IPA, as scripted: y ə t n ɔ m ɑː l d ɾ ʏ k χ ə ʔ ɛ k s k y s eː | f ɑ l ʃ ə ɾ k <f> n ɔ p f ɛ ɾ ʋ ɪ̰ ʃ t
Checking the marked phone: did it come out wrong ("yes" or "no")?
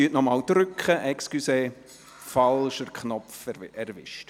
yes